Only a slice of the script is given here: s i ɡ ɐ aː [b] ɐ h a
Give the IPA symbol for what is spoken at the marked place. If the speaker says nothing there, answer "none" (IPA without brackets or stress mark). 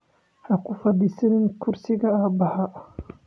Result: b